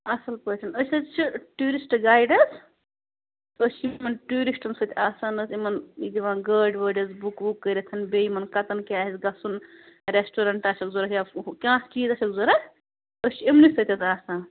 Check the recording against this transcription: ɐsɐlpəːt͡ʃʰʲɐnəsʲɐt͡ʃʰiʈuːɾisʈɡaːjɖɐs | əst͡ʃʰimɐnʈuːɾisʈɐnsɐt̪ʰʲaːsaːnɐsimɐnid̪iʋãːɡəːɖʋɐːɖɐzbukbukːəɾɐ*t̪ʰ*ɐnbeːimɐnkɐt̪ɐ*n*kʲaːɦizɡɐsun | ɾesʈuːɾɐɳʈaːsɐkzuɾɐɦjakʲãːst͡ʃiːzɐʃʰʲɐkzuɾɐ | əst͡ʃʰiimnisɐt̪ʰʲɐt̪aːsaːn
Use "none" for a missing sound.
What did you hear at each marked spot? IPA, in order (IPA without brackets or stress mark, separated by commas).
t̪ʰ, n